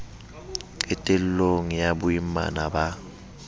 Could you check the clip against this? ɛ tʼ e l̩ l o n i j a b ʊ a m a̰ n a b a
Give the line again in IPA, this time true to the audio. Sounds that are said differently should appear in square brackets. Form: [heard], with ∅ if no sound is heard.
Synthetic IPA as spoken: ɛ tʼ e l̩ l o [ŋ] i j a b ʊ [i] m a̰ n a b a